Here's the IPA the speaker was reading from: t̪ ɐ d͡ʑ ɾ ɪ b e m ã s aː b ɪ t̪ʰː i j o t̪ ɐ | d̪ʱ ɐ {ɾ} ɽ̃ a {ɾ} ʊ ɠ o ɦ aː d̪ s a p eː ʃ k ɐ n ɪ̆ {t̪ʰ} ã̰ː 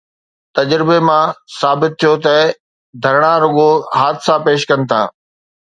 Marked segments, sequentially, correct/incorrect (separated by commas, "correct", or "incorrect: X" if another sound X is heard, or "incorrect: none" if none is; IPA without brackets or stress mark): correct, correct, correct